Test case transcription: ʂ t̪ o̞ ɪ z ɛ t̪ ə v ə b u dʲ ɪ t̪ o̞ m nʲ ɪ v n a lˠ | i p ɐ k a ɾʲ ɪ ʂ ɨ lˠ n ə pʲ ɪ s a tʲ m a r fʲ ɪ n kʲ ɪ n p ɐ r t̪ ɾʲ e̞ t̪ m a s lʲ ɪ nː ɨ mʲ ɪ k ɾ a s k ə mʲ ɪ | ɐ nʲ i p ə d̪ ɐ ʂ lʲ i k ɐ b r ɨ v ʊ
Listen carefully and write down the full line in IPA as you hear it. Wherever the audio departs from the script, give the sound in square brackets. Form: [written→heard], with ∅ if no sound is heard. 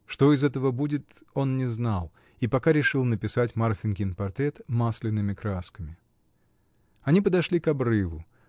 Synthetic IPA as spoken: ʂ t̪ o̞ ɪ z ɛ t̪ ə v ə b u dʲ ɪ t̪ o̞ [m→n] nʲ ɪ [v→z] n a lˠ | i p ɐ k a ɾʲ ɪ ʂ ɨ lˠ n ə pʲ ɪ s a tʲ m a r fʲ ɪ n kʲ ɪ n p ɐ r t̪ ɾʲ e̞ t̪ m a s lʲ ɪ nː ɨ mʲ ɪ k ɾ a s k ə mʲ ɪ | ɐ nʲ i p ə d̪ ɐ ʂ lʲ i k ɐ b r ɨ v ʊ